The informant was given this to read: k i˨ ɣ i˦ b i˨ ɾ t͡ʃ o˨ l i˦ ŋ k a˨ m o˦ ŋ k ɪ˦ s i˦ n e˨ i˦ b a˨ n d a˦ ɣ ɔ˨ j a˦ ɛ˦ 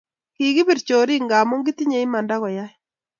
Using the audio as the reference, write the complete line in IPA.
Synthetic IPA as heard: k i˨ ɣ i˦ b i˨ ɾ t͡ʃ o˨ ɾ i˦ ŋ ɡ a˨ m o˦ ŋ ɡ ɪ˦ t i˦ ɲ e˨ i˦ m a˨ n d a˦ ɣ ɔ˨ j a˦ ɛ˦